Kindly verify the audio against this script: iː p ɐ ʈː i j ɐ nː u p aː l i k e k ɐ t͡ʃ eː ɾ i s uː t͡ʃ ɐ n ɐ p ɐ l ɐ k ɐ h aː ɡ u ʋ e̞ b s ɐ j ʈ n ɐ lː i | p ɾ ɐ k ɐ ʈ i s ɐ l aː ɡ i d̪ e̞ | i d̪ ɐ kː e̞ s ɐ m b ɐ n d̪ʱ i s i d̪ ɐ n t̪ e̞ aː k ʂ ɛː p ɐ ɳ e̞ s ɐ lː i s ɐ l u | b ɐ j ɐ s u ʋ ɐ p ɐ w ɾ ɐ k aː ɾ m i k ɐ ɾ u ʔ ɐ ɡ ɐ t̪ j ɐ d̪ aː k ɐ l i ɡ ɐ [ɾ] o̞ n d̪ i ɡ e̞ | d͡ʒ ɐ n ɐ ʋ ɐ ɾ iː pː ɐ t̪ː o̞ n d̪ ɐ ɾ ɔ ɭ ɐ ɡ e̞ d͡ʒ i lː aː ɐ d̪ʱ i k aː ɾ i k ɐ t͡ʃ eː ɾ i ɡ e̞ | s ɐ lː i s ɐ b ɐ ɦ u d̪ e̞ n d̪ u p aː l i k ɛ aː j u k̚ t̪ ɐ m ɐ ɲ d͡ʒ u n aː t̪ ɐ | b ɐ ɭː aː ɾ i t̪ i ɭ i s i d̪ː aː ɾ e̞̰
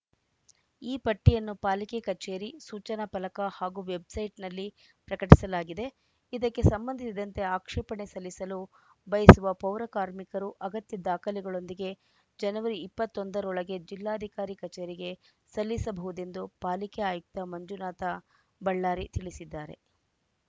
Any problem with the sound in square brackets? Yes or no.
yes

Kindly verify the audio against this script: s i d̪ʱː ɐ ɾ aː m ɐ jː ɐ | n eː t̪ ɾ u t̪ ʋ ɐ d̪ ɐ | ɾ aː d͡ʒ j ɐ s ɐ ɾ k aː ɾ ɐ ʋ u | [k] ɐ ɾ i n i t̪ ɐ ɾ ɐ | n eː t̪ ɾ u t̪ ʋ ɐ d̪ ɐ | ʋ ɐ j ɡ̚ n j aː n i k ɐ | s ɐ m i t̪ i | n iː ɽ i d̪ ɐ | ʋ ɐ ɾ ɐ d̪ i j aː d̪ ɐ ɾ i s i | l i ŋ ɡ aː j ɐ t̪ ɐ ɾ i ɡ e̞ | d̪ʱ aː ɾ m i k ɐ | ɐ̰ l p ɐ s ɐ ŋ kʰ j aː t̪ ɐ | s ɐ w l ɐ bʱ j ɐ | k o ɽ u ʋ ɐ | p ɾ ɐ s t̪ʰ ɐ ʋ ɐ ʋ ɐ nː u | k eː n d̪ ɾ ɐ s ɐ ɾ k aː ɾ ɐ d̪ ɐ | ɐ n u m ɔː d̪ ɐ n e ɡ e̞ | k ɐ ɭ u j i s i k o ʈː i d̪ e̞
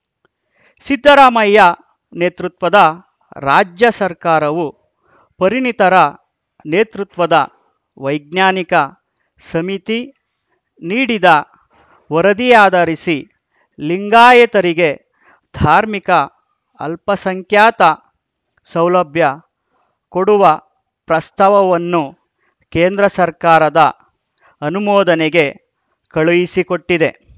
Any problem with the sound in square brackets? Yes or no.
yes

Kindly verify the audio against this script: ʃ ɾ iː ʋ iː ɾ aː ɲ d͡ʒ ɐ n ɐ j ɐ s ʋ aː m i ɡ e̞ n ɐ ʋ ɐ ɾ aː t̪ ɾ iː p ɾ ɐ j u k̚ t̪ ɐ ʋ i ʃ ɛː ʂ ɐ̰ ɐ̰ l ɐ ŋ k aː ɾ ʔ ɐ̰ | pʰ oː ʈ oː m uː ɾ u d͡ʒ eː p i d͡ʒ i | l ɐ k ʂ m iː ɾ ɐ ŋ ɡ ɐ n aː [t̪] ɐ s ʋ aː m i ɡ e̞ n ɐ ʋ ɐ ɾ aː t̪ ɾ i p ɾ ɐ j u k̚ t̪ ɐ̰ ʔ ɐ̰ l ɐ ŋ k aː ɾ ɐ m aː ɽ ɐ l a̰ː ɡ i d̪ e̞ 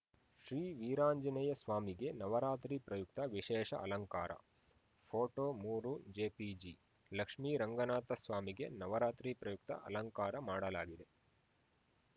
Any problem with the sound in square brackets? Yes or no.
no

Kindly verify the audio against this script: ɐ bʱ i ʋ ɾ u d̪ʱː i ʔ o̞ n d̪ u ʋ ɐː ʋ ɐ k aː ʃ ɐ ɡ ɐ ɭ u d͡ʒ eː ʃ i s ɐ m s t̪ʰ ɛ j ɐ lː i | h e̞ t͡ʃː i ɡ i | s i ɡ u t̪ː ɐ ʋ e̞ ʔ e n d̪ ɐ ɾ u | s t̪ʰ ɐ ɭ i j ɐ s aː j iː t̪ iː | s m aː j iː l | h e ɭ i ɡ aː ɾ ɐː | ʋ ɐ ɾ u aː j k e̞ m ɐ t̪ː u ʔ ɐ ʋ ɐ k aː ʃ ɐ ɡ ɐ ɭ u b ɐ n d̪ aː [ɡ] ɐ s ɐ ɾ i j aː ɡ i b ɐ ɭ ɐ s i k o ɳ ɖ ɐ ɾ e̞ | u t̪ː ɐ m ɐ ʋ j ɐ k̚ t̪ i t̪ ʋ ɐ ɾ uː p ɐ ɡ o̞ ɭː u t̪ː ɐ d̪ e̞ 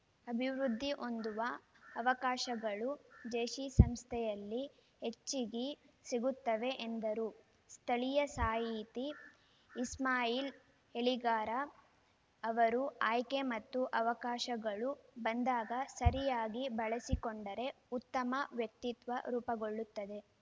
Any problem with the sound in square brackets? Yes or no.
no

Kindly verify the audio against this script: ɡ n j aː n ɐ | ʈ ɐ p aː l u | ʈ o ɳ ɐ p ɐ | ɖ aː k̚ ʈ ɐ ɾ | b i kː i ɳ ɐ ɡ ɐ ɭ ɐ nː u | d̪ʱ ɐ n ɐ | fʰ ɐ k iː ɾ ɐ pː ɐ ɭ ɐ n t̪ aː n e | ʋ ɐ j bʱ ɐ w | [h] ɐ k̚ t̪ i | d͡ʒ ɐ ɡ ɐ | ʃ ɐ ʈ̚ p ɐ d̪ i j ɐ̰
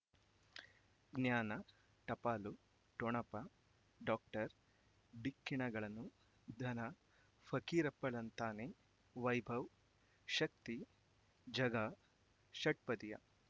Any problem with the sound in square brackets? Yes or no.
yes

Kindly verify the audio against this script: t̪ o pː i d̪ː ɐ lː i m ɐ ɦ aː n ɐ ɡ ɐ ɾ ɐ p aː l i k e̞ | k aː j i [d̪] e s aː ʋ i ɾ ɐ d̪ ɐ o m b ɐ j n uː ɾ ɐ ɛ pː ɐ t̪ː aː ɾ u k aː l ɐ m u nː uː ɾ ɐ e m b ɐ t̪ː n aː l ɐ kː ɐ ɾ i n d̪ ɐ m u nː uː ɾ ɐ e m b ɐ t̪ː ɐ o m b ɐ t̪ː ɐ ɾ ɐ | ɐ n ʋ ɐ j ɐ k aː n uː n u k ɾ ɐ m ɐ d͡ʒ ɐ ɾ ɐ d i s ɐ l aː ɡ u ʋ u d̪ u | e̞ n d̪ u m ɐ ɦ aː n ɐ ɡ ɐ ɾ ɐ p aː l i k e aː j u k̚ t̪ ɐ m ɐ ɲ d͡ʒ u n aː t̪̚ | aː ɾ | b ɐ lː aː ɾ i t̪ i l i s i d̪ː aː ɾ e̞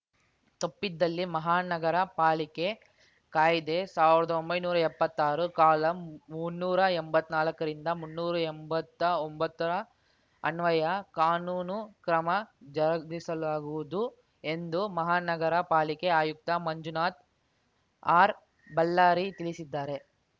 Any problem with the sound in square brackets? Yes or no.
no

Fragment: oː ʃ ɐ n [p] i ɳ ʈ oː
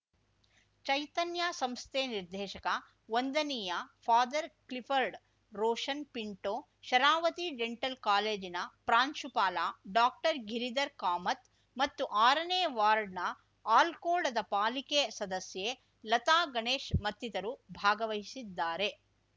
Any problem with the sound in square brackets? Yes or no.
no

